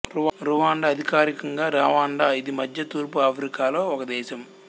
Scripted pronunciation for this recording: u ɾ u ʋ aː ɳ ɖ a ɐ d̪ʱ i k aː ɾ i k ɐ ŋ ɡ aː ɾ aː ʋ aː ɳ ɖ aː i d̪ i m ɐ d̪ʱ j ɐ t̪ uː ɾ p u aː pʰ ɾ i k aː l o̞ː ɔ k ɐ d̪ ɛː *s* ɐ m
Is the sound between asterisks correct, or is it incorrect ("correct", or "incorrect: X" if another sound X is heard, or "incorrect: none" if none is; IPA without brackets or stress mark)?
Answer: incorrect: ʃ